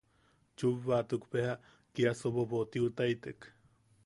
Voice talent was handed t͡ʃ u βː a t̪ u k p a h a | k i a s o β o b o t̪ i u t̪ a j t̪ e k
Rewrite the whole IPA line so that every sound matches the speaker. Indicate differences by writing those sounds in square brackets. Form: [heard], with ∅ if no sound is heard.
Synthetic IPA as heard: t͡ʃ u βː a t̪ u k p [e] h a | k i a s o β o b o t̪ i u t̪ a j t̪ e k